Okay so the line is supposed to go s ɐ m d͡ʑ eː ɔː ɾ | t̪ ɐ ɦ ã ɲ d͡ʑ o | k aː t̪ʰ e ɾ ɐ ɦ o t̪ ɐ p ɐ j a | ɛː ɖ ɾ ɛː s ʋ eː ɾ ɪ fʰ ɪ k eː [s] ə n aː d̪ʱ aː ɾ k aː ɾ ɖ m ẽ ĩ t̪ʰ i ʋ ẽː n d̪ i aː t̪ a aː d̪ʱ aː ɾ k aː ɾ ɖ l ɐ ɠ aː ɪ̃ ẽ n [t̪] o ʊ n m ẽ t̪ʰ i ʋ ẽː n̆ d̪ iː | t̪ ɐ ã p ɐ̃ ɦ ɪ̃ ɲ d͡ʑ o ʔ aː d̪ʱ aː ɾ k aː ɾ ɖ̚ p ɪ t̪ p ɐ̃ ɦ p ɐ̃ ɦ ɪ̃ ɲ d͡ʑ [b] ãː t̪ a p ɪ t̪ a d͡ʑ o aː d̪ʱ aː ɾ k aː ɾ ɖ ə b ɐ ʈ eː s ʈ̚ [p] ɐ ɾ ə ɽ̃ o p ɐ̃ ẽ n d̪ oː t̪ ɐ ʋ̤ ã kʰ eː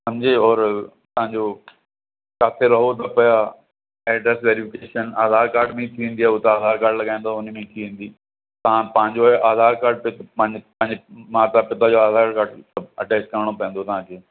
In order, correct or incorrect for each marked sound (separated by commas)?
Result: incorrect, incorrect, incorrect, incorrect